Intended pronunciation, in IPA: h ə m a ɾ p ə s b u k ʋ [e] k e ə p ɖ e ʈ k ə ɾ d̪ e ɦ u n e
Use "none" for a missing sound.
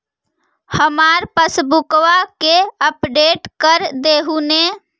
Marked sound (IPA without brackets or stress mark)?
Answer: a